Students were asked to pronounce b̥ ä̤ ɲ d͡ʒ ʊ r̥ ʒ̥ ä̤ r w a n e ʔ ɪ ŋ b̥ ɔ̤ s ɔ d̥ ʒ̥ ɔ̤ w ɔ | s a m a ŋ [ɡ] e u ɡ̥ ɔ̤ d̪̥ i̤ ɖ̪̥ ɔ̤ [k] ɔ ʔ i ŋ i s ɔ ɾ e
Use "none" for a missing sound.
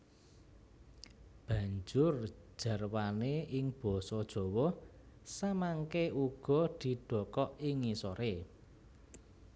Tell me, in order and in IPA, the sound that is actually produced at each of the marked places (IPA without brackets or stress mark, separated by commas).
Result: k, k